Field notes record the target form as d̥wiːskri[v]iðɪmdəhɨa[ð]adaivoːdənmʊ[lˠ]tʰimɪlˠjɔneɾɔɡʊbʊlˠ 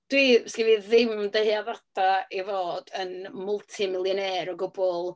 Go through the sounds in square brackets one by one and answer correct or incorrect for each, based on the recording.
correct, correct, correct

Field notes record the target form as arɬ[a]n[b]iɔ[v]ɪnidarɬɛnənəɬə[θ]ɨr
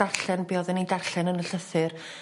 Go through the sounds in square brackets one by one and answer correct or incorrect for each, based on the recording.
incorrect, correct, incorrect, correct

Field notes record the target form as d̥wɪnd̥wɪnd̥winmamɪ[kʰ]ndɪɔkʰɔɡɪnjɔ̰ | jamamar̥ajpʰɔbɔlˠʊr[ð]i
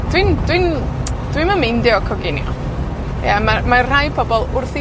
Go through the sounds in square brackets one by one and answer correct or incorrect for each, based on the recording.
incorrect, incorrect

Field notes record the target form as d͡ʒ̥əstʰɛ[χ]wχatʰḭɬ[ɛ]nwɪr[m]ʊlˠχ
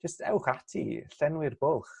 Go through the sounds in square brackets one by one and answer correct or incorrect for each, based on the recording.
incorrect, correct, incorrect

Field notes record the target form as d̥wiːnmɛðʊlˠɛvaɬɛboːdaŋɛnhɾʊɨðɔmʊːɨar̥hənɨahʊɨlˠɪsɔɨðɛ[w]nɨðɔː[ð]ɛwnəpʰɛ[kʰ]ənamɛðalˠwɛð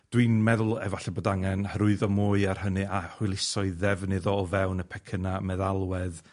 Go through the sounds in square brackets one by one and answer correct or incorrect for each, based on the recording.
incorrect, incorrect, correct

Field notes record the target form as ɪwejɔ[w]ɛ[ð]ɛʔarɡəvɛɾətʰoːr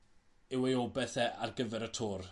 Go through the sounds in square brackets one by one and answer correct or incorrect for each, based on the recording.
incorrect, incorrect

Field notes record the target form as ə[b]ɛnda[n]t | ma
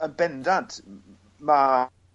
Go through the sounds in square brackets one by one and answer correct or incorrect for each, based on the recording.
correct, correct

